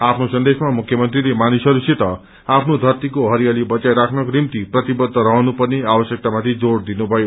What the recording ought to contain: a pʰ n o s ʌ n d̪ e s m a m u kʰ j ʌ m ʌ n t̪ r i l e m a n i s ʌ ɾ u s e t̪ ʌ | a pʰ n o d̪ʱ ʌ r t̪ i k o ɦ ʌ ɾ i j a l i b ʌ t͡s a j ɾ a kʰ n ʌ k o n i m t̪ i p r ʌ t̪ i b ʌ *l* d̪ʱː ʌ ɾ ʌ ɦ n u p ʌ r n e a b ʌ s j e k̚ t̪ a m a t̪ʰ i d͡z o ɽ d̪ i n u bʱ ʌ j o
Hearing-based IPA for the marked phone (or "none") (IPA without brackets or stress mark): none